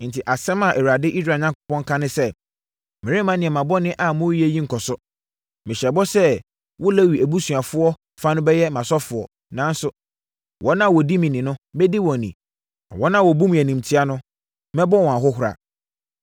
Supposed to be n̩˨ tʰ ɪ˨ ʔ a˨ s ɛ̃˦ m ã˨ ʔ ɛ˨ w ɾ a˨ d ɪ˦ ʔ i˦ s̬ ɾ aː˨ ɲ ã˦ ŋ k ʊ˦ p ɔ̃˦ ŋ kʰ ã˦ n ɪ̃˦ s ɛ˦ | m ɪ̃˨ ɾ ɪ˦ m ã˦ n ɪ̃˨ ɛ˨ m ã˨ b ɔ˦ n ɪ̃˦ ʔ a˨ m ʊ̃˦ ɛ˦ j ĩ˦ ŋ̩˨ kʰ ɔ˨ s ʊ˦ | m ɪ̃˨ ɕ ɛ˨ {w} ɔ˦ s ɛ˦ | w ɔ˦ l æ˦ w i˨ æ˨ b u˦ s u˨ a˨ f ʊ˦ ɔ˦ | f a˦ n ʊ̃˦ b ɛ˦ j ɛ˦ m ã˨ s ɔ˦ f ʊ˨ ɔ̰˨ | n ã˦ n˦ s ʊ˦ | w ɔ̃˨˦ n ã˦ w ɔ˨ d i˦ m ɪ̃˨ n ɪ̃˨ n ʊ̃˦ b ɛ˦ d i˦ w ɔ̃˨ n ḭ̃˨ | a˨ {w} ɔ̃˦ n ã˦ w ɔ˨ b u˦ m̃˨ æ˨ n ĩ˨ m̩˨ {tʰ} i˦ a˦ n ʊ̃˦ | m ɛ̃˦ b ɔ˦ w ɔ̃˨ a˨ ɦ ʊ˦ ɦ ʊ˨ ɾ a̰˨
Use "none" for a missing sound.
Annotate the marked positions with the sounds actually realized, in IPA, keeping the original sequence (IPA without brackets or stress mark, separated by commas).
b, w, tʰ